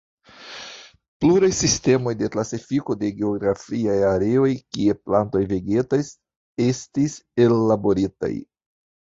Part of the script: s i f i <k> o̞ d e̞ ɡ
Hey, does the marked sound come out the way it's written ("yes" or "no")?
yes